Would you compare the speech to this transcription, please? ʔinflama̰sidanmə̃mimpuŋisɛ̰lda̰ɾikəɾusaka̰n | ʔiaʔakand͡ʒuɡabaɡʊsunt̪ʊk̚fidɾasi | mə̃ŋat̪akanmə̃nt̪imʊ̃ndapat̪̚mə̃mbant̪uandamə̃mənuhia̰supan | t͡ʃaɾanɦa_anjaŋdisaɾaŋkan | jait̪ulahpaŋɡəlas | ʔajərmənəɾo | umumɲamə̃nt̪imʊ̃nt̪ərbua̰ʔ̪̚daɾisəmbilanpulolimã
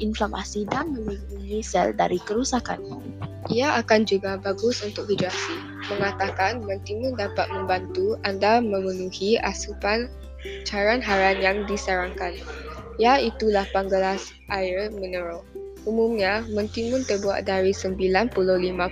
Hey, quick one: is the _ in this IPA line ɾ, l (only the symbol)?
ɾ